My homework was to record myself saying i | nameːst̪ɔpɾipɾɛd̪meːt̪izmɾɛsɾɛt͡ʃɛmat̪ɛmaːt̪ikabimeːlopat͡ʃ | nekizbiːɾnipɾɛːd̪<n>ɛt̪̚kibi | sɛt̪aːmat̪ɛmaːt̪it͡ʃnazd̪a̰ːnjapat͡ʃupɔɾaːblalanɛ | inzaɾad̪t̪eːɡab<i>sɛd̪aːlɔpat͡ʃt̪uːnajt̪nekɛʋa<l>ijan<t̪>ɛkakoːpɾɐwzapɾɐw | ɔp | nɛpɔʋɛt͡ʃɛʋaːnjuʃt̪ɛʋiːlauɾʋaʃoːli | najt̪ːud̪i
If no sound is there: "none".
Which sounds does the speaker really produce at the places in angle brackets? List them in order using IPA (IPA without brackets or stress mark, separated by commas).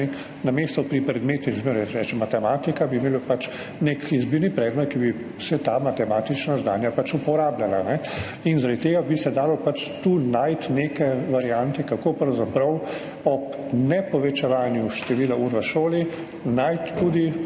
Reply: m, i, ɾ, t̪